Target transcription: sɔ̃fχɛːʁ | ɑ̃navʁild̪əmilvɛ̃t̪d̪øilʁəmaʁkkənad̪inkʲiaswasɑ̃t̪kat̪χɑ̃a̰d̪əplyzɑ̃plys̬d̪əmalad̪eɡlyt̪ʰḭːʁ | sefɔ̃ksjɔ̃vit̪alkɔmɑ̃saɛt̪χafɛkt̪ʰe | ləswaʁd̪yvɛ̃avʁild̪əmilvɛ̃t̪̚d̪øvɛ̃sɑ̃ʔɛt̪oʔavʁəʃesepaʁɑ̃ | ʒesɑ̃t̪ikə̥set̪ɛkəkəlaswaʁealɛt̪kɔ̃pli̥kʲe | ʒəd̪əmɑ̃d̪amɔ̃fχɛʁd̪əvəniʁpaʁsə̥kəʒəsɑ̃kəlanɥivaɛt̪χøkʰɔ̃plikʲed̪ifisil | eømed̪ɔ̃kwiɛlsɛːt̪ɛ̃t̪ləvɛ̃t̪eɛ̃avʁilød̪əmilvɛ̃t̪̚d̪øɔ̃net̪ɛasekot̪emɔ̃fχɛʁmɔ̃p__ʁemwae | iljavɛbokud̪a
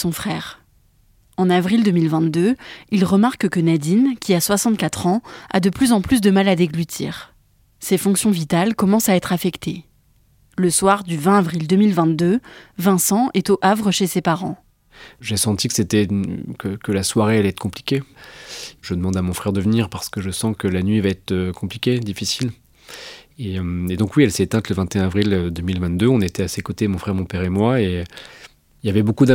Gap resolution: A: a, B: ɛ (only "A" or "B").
B